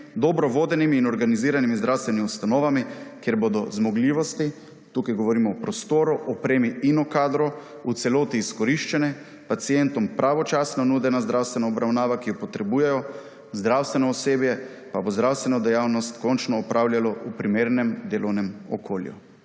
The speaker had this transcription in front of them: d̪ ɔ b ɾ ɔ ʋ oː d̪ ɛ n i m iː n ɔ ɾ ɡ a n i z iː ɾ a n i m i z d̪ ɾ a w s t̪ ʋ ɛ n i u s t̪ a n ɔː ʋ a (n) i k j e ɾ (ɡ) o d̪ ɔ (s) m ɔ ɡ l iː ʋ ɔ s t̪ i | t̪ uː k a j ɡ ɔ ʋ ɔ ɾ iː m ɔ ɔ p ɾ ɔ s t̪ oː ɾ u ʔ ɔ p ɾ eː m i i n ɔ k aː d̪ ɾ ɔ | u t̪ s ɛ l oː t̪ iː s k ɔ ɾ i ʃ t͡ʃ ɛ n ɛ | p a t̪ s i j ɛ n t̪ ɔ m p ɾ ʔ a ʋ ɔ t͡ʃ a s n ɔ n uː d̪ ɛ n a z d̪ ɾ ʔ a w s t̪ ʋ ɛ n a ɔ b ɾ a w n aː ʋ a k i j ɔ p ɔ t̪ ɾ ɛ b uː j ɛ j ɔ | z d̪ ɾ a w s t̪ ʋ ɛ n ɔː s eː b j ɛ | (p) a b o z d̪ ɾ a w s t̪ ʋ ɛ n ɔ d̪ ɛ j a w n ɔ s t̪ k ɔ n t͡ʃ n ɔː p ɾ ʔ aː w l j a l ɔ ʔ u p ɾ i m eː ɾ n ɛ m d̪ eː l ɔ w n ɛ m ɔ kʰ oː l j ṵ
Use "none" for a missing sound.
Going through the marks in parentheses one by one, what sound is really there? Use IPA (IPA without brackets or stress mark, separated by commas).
m, b, z, p